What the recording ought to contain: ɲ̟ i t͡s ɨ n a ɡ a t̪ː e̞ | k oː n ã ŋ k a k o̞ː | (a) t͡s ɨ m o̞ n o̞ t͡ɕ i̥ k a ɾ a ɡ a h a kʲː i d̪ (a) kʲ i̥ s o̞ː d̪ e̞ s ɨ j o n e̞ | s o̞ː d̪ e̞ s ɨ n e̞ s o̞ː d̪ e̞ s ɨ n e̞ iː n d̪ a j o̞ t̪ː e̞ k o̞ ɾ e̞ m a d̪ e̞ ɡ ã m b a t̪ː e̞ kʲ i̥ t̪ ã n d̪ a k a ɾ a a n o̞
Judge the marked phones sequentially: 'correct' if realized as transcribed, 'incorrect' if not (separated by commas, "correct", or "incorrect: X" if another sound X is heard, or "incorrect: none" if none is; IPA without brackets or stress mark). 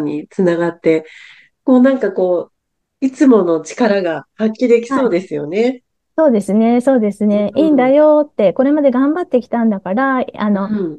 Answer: incorrect: i, incorrect: e